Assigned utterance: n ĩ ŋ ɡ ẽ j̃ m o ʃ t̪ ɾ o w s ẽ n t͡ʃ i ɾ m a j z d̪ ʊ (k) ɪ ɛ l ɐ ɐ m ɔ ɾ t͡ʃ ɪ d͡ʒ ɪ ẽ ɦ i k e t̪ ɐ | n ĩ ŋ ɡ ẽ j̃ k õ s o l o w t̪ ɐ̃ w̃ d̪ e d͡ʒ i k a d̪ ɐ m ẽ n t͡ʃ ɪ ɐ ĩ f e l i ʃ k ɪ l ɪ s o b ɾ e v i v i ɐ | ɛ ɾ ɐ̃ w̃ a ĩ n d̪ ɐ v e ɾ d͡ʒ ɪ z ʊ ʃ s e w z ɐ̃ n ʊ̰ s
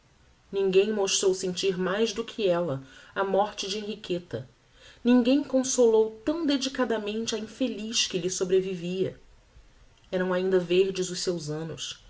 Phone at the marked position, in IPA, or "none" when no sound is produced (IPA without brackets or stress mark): kʰ